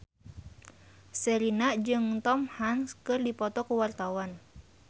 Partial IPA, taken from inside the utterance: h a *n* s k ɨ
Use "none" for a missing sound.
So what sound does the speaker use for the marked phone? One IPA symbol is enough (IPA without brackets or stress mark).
n